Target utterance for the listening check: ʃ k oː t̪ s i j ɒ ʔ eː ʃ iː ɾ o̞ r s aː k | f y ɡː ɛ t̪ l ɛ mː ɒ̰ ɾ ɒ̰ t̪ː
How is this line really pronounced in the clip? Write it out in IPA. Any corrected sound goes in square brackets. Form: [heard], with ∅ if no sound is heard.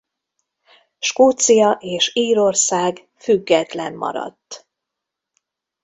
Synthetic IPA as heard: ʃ k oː t̪ s i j ɒ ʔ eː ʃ iː ɾ o̞ r s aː [ɡ] | f y ɡː ɛ t̪ l ɛ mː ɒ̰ ɾ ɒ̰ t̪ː